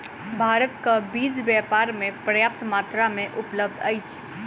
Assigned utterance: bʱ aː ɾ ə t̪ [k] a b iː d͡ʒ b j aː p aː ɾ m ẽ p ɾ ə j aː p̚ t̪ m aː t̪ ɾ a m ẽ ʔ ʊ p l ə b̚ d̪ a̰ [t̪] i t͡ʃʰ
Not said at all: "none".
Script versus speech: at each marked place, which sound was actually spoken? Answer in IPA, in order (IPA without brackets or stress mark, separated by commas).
k, none